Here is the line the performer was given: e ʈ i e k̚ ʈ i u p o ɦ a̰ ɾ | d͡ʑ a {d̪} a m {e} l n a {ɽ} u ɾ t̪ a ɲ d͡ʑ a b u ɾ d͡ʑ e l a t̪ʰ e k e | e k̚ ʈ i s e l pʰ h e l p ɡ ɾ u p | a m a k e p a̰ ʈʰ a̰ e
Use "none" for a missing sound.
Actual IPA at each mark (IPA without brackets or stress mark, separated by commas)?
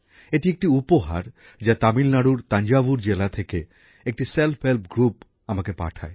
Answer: t̪, i, ɽ